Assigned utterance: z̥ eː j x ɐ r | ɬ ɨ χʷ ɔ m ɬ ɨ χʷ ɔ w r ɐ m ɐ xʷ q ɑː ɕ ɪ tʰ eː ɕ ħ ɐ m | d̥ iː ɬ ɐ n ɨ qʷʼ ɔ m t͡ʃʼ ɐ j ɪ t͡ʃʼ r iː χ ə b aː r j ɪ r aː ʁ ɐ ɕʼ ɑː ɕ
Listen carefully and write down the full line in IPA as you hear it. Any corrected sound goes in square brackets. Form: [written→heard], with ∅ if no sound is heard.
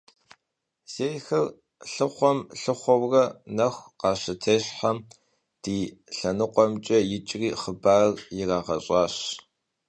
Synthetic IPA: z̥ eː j x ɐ r | ɬ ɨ χʷ ɔ m ɬ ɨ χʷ ɔ w r ɐ [m→n] ɐ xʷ q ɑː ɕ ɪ tʰ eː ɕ ħ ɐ m | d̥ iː ɬ ɐ n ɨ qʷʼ ɔ m t͡ʃʼ ɐ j ɪ t͡ʃʼ r iː χ ə b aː r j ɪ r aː ʁ ɐ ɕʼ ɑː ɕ

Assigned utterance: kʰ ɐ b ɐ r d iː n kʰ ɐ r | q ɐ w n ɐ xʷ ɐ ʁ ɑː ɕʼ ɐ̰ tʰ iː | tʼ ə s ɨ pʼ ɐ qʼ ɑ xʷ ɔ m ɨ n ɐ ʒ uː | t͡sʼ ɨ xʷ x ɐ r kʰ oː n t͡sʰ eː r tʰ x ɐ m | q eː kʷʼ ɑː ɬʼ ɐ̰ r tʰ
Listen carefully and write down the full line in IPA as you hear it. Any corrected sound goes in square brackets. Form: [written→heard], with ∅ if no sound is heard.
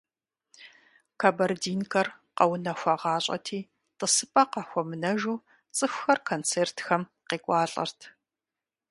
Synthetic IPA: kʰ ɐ b ɐ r d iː n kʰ ɐ r | q ɐ w n ɐ xʷ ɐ ʁ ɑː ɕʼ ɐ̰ tʰ iː | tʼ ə s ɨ pʼ ɐ [qʼ→q] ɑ xʷ ɔ m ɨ n ɐ ʒ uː | t͡sʼ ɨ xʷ x ɐ r kʰ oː n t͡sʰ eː r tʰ x ɐ m | q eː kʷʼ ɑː ɬʼ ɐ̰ r tʰ

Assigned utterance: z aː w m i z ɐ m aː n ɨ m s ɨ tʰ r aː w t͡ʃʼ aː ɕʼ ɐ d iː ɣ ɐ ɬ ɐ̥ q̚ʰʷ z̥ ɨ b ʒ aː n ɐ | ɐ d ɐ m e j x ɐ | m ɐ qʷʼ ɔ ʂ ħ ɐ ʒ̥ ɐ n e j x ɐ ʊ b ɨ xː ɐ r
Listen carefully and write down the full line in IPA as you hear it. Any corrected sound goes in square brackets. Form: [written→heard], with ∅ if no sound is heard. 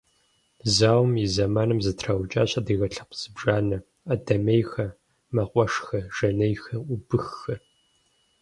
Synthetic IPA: z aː w m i z ɐ m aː n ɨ m [s→z] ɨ tʰ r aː w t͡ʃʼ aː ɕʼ ɐ d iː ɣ ɐ ɬ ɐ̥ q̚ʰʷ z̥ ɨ b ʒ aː n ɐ | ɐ d ɐ m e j x ɐ | m ɐ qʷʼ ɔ ʂ [ħ→x] ɐ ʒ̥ ɐ n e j x ɐ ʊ b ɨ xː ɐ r

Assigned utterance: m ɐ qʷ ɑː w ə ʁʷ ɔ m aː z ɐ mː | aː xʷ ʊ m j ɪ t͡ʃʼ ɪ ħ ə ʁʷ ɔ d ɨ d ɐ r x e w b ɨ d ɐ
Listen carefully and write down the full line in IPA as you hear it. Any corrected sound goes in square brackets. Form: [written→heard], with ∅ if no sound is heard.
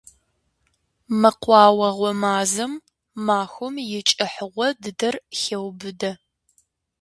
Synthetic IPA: m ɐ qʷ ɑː w [ə→ɐ] ʁʷ ɔ m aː z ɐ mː | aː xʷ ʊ m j ɪ t͡ʃʼ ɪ ħ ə ʁʷ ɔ d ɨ d ɐ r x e w b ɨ d ɐ

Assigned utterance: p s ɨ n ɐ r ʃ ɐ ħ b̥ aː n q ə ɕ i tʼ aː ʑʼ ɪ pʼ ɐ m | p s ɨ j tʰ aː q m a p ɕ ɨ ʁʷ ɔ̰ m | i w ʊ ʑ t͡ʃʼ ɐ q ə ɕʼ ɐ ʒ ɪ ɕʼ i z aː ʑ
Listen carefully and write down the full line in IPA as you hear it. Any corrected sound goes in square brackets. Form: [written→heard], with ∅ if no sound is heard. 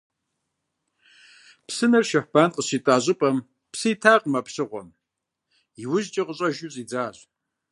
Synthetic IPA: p s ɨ n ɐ r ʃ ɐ ħ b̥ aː n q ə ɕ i tʼ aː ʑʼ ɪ pʼ ɐ m | p s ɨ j tʰ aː q m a p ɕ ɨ ʁʷ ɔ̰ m | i w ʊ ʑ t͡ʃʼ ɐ q ə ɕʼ ɐ ʒ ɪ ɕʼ i [z→d͡z] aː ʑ

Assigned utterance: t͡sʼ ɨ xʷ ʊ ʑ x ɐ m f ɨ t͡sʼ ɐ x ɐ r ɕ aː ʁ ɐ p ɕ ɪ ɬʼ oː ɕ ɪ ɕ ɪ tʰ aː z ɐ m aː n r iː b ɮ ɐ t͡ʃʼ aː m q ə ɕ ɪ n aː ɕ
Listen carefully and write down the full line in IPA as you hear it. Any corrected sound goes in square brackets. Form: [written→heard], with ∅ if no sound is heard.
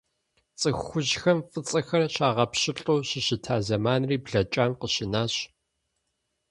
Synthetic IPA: t͡sʼ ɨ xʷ ʊ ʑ x ɐ m f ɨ t͡sʼ ɐ x ɐ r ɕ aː ʁ ɐ p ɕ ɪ ɬʼ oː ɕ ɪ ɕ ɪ tʰ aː z ɐ m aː n r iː b ɮ ɐ t͡ʃʼ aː m q ə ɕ ɪ n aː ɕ

